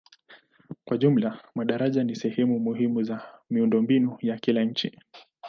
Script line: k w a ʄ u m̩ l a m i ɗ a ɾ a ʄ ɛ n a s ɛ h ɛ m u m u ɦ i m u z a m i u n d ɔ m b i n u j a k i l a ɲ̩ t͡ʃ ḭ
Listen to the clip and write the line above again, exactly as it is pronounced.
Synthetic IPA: k w a ʄ u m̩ l a m a ɗ a ɾ a ʄ a n i s ɛ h ɛ m u m u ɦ i m u z a m i u n d ɔ m b i n u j a k i l a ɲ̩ t͡ʃ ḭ